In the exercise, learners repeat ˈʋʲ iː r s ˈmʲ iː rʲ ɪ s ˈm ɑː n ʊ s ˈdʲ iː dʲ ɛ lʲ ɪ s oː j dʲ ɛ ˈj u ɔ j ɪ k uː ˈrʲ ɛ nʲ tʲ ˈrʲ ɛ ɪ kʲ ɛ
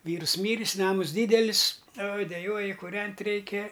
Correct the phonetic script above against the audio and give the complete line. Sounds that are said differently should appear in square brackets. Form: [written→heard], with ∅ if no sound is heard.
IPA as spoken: ˈʋʲ iː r s ˈmʲ iː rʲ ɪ s [ˈm→ˈn] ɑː [n→m] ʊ s ˈdʲ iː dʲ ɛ lʲ ɪ s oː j dʲ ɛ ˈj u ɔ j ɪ k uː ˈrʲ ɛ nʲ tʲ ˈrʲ ɛ ɪ kʲ ɛ